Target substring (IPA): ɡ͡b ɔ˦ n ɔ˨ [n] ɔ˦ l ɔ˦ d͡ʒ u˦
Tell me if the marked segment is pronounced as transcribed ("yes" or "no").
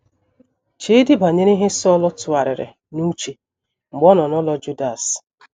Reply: yes